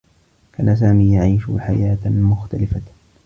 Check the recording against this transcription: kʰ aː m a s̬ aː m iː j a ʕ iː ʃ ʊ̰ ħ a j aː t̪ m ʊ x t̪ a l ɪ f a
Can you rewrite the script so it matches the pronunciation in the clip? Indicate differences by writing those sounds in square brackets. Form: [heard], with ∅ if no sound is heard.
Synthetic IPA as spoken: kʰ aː [n] a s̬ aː m iː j a ʕ iː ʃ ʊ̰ ħ a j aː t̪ m ʊ x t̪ a l ɪ f a